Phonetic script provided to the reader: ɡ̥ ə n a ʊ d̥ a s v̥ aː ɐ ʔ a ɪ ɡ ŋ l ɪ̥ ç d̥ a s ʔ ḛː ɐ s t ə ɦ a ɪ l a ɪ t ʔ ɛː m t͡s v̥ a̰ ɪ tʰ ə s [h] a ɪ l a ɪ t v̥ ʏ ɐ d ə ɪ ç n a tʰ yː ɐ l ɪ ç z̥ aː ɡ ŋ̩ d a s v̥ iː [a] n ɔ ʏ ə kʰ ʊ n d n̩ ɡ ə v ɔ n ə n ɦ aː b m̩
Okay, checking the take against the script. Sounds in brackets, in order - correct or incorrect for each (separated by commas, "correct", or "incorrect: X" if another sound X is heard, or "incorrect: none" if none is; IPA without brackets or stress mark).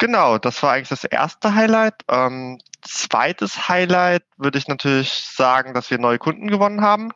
correct, incorrect: ɐ